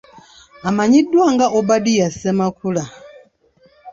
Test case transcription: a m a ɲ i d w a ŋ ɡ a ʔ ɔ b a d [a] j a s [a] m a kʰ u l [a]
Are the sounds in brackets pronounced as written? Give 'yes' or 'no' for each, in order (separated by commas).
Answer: no, no, yes